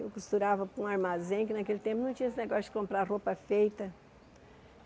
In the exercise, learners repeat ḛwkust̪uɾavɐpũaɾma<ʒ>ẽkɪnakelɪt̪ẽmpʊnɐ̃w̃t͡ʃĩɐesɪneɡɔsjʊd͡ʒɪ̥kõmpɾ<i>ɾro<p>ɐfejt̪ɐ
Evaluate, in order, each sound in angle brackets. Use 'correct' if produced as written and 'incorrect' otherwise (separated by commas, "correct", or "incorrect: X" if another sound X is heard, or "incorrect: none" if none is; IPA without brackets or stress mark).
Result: incorrect: z, incorrect: a, correct